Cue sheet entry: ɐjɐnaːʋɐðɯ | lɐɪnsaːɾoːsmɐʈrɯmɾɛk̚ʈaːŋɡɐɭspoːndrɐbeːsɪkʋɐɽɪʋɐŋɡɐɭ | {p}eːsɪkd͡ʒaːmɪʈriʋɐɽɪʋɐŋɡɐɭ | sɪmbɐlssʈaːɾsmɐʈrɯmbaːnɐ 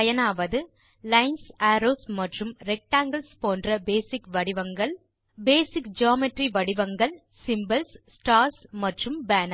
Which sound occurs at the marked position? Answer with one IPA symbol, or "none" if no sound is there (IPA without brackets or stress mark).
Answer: b